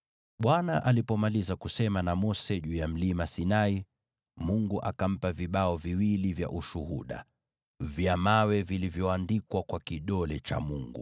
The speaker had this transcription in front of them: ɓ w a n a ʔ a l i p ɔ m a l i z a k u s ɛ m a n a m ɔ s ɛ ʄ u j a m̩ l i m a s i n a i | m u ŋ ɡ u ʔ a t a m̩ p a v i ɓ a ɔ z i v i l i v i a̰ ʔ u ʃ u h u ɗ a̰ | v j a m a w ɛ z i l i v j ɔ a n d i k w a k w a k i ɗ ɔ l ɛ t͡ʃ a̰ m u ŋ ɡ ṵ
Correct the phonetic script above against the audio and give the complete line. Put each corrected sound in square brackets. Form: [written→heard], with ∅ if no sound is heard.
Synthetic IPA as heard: ɓ w a n a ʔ a l i p ɔ m a l i z a k u s ɛ m a n a m ɔ s ɛ ʄ u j a m̩ l i m a s i n a i | m u ŋ ɡ u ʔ a [t→k] a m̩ p a v i ɓ a ɔ [z→v] i [v→w] i l i v [i→j] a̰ ʔ u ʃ u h u ɗ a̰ | v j a m a w ɛ [z→v] i l i v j ɔ a n d i k w a k w a k i ɗ ɔ l ɛ t͡ʃ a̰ m u ŋ ɡ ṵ